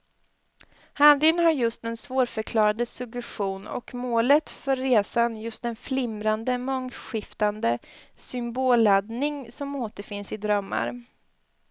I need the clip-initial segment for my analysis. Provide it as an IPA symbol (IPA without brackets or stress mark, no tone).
h